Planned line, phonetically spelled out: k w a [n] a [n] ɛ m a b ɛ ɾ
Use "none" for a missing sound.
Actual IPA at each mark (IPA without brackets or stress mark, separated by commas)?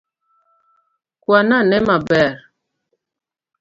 n, n